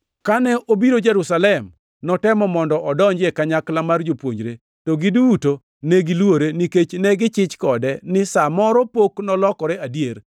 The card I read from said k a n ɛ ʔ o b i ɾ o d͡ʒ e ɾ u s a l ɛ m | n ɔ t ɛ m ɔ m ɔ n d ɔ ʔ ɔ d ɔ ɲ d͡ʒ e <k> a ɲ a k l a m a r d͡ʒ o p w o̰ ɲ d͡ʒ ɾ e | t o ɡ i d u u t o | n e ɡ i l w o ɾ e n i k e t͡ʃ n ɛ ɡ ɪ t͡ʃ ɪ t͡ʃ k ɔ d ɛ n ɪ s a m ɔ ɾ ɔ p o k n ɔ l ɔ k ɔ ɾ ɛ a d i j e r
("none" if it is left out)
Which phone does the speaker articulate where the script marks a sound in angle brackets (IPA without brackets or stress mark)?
k